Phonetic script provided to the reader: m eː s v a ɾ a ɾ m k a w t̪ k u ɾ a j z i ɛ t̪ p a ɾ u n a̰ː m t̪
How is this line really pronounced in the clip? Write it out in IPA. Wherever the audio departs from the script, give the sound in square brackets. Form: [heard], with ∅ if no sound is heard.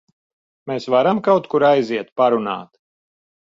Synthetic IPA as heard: m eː s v a ɾ a [∅] m k a w t̪ k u ɾ a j z i ɛ t̪ p a ɾ u n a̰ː [∅] t̪